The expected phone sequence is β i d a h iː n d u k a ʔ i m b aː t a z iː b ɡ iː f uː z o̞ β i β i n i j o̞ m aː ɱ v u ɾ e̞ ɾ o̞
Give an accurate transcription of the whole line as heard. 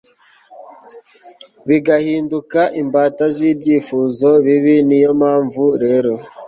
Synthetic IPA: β i ɡ a h iː n d u k a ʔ i m b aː t a z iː b ɟ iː f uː z o̞ β i β i n i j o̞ m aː ɱ v u ɾ e̞ ɾ o̞